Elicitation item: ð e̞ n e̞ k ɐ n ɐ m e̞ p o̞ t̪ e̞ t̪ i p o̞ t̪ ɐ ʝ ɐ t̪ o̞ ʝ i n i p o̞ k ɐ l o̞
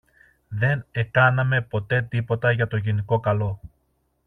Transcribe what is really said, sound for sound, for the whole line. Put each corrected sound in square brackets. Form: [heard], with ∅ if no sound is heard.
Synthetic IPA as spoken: ð e̞ n e̞ k ɐ n ɐ m e̞ p o̞ t̪ e̞ t̪ i p o̞ t̪ ɐ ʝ ɐ t̪ o̞ ʝ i n i [k] o̞ k ɐ l o̞